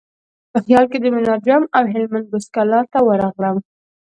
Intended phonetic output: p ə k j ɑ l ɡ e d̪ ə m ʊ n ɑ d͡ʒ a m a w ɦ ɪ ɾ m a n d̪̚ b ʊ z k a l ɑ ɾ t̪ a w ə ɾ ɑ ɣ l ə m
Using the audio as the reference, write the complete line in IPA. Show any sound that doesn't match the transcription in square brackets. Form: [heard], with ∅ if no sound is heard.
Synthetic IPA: p ə [x] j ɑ l [k] e d̪ ə m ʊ n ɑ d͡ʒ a m a w ɦ ɪ [l] m a n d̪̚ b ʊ [s] k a l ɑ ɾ t̪ a w ə ɾ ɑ ɣ l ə m